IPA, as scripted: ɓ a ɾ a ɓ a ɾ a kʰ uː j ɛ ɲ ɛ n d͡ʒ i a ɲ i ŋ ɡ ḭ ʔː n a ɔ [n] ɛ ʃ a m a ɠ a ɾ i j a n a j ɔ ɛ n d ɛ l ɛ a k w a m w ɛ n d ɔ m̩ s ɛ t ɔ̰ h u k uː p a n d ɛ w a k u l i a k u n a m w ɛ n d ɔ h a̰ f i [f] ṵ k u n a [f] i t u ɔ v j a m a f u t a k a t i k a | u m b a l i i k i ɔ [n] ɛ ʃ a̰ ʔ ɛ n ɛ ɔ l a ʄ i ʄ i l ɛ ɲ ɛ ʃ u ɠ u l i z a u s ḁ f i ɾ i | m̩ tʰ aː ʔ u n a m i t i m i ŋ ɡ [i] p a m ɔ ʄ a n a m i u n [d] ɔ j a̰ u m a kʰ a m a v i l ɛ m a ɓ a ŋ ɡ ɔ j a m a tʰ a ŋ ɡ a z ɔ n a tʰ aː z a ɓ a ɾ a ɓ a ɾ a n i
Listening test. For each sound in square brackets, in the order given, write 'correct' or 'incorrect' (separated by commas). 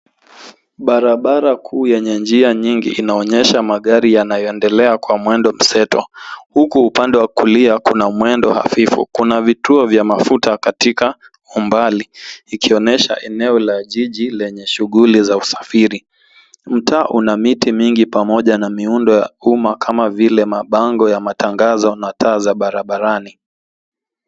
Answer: incorrect, correct, incorrect, correct, correct, correct